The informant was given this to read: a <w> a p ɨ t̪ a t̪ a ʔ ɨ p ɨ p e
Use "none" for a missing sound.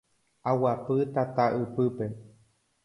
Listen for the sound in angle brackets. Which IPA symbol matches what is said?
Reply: w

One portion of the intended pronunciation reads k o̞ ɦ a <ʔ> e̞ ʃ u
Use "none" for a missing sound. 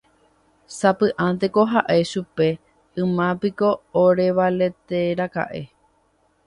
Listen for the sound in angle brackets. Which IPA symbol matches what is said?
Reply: ʔ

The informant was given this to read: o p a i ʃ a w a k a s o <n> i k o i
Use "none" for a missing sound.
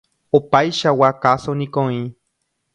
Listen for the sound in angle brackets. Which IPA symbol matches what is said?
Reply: n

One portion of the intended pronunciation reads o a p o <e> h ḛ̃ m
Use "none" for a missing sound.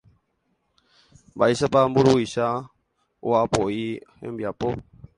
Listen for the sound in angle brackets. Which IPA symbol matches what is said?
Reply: i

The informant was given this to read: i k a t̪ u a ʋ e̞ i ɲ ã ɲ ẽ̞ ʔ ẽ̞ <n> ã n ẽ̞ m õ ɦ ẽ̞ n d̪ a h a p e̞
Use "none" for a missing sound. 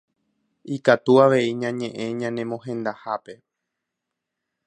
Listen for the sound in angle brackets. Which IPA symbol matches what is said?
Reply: ɲ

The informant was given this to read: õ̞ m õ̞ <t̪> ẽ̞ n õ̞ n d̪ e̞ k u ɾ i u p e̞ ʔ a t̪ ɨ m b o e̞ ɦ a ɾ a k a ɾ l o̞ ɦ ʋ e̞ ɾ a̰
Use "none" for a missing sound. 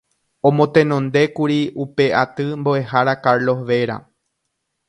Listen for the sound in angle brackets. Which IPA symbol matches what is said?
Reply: t̪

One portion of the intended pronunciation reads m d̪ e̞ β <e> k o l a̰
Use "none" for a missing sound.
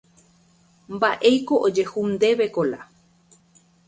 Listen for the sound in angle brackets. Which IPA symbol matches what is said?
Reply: e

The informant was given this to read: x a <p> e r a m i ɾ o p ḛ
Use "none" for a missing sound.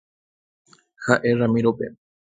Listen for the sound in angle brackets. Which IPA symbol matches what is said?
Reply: ʔ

